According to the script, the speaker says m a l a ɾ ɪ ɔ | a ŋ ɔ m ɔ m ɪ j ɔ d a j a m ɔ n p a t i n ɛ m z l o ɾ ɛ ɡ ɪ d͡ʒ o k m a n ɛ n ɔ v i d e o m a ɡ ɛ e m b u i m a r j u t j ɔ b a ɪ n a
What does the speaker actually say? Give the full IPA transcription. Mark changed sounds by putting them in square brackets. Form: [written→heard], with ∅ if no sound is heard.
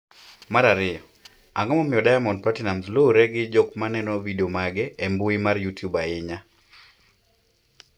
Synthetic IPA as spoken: m a [l→ɾ] a ɾ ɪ ɔ | a ŋ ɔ m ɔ m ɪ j ɔ d a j a m ɔ n p a t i n [ɛ→a] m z l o ɾ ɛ ɡ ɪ d͡ʒ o k m a n ɛ n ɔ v i d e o m a ɡ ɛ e m b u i m a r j u t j [ɔ→u] b a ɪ [n→ɲ] a